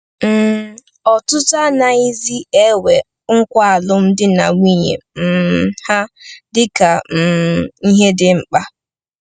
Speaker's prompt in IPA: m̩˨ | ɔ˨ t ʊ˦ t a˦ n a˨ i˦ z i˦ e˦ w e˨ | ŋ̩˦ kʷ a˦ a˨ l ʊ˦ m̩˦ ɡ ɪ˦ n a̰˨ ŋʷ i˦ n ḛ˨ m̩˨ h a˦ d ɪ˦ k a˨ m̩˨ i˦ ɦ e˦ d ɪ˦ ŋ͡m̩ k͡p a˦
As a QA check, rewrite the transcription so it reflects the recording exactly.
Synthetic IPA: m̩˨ | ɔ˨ t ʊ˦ t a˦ n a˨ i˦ z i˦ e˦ w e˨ | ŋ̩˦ kʷ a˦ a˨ l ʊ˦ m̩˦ d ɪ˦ n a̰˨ ŋʷ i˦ ɲ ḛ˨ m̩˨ h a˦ d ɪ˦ k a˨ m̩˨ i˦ ɦ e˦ d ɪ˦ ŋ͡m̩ k͡p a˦